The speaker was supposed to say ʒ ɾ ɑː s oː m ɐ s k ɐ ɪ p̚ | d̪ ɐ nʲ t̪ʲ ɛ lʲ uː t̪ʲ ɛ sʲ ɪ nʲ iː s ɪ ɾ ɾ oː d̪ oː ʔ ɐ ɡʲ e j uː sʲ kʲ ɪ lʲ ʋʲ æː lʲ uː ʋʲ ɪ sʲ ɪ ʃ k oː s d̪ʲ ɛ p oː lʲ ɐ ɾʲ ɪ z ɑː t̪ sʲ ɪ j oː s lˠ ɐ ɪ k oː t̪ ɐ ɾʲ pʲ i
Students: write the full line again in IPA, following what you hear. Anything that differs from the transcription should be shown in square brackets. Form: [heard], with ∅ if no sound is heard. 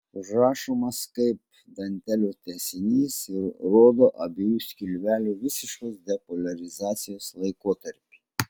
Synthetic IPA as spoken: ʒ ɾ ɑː [ʃ] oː m ɐ s k ɐ ɪ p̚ | d̪ ɐ nʲ t̪ʲ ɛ lʲ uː t̪ʲ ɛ sʲ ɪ nʲ iː s ɪ ɾ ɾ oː d̪ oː ʔ ɐ [bʲ] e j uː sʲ kʲ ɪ lʲ ʋʲ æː lʲ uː ʋʲ ɪ sʲ ɪ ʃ k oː s d̪ʲ ɛ p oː lʲ ɐ ɾʲ ɪ z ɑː t̪ sʲ ɪ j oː s lˠ ɐ ɪ k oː t̪ ɐ ɾʲ pʲ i